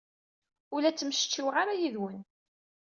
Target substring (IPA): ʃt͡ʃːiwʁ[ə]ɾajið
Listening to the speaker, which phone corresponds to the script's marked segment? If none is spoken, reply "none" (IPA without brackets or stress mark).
a